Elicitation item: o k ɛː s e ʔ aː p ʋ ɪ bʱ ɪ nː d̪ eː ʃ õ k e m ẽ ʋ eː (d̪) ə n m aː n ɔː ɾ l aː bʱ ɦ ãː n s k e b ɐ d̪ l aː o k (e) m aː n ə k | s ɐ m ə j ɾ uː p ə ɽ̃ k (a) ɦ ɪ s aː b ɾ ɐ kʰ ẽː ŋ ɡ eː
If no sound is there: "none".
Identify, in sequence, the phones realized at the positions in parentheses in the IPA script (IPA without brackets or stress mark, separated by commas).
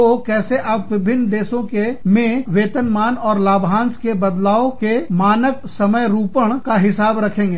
t̪, e, a